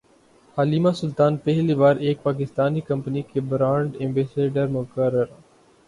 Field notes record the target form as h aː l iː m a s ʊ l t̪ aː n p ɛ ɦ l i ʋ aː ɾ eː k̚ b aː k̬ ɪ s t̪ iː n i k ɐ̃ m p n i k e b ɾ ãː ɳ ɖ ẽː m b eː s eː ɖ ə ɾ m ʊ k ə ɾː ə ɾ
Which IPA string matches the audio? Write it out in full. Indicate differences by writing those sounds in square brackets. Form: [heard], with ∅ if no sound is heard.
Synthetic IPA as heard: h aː l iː m a s ʊ l t̪ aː n p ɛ ɦ l i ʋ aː ɾ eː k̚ [p] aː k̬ ɪ s t̪ [aː] n i k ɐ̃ m p n i k e b ɾ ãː ɳ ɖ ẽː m b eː s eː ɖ ə ɾ m ʊ k ə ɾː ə ɾ